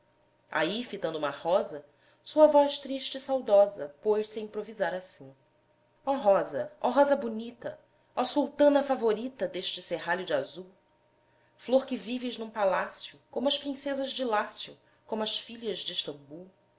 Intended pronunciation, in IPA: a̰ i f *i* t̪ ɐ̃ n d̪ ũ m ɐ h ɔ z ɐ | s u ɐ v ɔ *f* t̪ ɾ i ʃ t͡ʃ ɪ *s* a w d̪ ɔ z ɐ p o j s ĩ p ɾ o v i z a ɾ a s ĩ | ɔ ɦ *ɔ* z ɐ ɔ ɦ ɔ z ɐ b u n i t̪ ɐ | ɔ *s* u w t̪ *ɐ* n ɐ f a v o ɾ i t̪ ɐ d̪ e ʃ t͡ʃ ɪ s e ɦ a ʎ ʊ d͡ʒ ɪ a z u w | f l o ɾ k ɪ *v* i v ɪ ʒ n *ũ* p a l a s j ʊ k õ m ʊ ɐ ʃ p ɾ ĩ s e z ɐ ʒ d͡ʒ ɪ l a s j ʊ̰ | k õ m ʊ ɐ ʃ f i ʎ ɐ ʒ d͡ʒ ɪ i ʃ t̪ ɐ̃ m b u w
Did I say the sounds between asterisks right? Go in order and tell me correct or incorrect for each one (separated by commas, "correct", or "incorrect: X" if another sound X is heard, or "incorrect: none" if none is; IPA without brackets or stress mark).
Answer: correct, incorrect: ʃ, correct, correct, correct, incorrect: ɐ̃, correct, correct